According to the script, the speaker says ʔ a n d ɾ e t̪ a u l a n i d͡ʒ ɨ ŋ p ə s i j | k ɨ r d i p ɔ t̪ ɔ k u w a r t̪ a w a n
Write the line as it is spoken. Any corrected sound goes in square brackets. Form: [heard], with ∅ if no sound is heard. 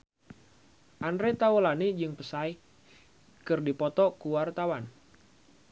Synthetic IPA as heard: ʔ a n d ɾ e t̪ a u l a n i d͡ʒ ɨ ŋ p ə s [a] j | k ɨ r d i p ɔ t̪ ɔ k u w a r t̪ a w a n